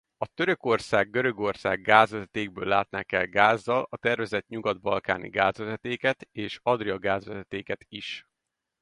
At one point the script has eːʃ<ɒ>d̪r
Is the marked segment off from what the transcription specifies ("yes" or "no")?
no